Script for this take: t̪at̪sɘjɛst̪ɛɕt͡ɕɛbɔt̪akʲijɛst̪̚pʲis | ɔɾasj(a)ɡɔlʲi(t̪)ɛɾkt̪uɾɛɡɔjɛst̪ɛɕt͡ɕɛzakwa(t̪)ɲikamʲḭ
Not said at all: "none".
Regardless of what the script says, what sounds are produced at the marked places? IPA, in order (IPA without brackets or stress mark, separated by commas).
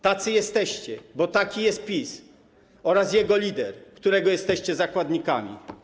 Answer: ɛ, d̪, d̪